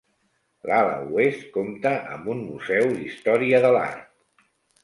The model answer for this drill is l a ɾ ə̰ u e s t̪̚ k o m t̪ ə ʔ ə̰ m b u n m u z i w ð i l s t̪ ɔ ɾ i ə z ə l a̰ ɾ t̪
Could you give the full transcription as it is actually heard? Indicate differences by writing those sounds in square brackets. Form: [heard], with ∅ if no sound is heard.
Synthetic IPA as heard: l a [l] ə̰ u e s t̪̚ k o m t̪ ə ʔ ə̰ m b u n m u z [ɛ] w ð i [∅] s t̪ ɔ ɾ i ə [ð] ə l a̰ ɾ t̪

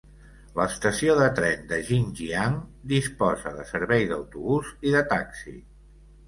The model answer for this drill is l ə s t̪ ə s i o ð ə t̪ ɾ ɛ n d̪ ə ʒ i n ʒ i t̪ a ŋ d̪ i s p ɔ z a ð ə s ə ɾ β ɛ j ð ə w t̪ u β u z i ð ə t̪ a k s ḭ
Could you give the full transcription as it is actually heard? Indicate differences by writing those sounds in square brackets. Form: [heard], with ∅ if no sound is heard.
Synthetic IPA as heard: l ə s t̪ ə s i o ð ə t̪ ɾ ɛ n d̪ ə ʒ i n ʒ i [∅] a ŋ d̪ i s p ɔ z [ə] ð ə s ə ɾ β ɛ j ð ə w t̪ u β u z i ð ə t̪ a k s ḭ

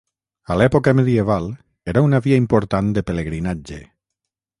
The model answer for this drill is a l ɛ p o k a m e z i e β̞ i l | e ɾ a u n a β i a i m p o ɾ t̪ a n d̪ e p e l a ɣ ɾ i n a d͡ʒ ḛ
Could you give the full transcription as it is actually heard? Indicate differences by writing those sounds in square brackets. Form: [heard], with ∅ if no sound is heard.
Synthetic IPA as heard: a l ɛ p o k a m e [ð] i e β̞ [a] l | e ɾ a u n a β i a i m p o ɾ t̪ a n d̪ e p e l [e] ɣ ɾ i n a d͡ʒ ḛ

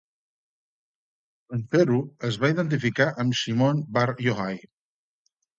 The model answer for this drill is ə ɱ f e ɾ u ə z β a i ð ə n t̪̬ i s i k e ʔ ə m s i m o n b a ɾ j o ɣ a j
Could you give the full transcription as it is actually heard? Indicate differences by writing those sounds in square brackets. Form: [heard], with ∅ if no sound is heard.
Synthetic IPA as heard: ə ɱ f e ɾ u ə z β a i ð ə n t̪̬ i [f] i k [a] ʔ ə m s i m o n b a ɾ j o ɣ a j

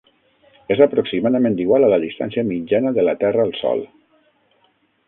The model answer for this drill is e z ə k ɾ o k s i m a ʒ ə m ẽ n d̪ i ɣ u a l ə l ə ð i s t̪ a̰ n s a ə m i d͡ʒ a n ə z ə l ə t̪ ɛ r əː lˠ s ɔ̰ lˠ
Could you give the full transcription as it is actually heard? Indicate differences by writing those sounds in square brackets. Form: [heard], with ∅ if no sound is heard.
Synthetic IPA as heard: e z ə [p] ɾ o k s i m a [ð] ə m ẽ n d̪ i ɣ [w] a l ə l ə ð i s t̪ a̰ n s [i] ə m i d͡ʒ a n ə [ð] ə l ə t̪ ɛ r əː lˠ s ɔ̰ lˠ

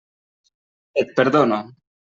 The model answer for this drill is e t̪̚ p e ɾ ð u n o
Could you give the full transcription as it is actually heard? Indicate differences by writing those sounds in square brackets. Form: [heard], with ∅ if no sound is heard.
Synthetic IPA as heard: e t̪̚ p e ɾ ð [o] n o

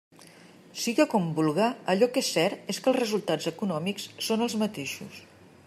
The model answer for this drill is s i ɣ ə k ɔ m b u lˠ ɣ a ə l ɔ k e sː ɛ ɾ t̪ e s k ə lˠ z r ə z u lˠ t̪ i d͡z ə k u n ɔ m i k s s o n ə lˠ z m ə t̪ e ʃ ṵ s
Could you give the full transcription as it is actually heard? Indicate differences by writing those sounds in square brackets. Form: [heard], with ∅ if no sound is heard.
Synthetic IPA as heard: s i ɣ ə k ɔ m b u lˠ ɣ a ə [ʎ] ɔ k e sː ɛ ɾ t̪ e s k ə lˠ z r ə z u lˠ t̪ [a] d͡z ə k u n ɔ m i k s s o n ə lˠ z m ə t̪ e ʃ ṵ s

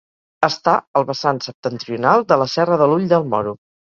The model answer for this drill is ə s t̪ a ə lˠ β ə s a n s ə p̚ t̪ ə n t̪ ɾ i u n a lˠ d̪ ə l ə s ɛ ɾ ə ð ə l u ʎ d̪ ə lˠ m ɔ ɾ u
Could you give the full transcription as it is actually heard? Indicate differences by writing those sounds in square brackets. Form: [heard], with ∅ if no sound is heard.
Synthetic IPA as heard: ə s t̪ a ə lˠ β ə s a n s ə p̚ t̪ ə n t̪ ɾ i u n a lˠ d̪ ə l ə s ɛ [r] ə ð ə l u ʎ d̪ ə lˠ m ɔ ɾ u

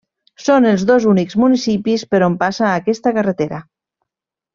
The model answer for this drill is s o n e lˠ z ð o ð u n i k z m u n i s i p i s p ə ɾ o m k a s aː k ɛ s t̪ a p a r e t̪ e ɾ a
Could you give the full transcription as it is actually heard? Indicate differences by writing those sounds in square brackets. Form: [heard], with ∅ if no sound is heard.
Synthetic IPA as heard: s o n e lˠ z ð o [z] u n i k z m u n i s i p i s p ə ɾ o m [p] a s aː k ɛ s t̪ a [k] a r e t̪ e ɾ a

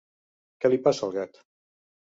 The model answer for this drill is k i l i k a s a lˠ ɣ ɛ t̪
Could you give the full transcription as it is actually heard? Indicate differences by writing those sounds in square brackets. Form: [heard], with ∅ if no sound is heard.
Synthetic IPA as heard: k [ɛ] l i [p] a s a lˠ ɣ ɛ t̪

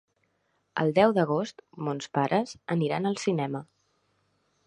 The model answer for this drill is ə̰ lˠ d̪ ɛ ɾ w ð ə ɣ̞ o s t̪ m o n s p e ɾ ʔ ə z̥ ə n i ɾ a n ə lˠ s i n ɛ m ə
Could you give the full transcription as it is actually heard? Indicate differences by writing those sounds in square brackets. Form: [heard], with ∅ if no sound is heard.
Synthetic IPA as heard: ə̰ lˠ d̪ ɛ [∅] w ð ə ɣ̞ o s t̪ m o n s p [a] ɾ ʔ ə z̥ ə n i ɾ a n ə lˠ s i n ɛ m ə

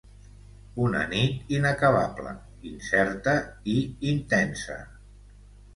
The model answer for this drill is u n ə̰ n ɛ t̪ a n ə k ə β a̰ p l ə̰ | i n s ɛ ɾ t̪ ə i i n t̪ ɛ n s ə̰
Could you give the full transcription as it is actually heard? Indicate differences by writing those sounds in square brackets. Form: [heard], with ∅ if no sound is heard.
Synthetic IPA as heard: u n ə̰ n [i] t̪ [i] n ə k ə β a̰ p l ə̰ | i n s ɛ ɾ t̪ ə i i n t̪ ɛ n s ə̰

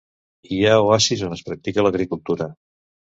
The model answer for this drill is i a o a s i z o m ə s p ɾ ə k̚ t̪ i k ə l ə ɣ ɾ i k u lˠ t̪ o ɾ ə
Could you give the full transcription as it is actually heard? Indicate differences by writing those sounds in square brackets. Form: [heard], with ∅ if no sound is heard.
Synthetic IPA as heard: i a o a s i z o [n] ə s p ɾ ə k̚ t̪ i k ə l ə ɣ ɾ i k u lˠ t̪ [u] ɾ ə

